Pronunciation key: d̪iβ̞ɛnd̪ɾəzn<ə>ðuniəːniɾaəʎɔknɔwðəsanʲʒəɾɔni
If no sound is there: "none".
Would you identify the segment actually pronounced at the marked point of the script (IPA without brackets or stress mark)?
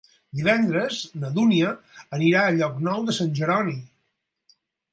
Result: ə